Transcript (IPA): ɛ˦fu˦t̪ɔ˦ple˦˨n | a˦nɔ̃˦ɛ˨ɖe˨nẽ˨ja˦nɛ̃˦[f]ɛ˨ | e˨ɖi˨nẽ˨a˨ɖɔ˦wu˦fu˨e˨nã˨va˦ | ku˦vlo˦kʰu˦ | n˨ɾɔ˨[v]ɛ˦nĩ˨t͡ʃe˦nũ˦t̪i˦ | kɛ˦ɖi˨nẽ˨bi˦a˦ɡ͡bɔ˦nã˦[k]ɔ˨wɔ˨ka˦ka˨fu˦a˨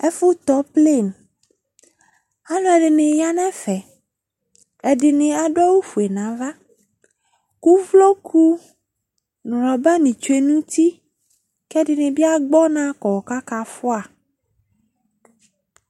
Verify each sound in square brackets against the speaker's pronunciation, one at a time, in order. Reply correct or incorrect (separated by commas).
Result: correct, incorrect, correct